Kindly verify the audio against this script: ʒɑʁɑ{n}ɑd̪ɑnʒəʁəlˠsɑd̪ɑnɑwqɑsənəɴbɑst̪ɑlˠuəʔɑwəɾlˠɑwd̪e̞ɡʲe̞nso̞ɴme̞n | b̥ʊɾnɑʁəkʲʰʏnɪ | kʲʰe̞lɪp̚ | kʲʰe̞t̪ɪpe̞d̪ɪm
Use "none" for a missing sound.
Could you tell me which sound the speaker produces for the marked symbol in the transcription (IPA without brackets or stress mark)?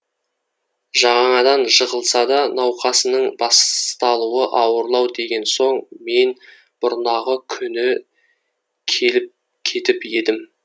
ɴ